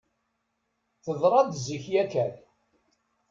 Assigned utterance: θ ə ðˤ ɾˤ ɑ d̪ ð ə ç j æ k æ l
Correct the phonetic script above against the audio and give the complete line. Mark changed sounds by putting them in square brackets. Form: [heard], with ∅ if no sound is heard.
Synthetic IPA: θ ə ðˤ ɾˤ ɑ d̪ [z] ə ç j æ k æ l